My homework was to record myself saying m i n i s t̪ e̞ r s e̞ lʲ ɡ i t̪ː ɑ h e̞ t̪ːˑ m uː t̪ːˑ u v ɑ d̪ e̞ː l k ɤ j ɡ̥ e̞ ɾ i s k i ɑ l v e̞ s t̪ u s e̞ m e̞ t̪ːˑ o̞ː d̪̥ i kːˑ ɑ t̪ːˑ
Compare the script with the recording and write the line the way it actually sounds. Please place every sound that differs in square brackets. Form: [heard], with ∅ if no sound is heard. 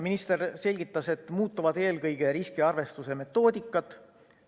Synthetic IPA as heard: m i n i s t̪ e̞ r s e̞ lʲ ɡ i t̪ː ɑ [s] e̞ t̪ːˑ m uː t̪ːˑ u v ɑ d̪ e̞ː l k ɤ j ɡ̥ e̞ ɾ i s k i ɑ [r] v e̞ s t̪ u s e̞ m e̞ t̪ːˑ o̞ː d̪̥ i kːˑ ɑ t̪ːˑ